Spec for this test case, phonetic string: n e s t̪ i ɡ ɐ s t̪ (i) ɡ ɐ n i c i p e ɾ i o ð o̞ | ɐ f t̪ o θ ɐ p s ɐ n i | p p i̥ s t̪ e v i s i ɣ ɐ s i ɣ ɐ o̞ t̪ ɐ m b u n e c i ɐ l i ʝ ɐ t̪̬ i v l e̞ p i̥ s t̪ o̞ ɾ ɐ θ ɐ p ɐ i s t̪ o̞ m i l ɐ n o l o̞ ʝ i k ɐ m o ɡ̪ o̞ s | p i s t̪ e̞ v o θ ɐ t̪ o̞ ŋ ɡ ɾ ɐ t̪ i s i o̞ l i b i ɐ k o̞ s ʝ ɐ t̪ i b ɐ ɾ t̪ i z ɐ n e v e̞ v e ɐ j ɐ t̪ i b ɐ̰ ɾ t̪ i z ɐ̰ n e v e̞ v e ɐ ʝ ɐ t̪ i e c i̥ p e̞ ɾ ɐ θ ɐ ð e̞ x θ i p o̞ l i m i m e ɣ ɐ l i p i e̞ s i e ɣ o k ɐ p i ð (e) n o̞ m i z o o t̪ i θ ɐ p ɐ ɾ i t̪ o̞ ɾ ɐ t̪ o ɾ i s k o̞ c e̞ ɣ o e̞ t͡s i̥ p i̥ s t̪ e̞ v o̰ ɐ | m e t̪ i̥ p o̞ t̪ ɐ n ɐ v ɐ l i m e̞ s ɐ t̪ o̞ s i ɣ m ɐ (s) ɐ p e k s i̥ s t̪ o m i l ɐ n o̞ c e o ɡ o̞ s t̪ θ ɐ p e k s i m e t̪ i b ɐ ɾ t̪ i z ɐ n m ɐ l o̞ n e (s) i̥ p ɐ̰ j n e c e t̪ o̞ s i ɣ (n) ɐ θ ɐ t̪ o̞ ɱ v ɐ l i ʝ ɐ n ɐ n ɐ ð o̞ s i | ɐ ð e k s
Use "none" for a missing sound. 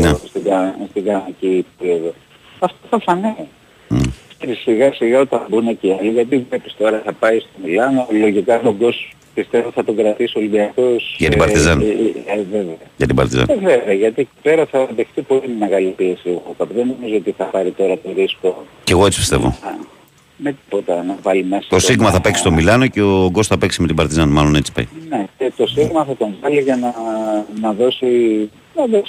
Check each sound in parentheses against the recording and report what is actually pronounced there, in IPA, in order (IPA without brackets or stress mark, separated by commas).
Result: i, e, θ, t͡s, m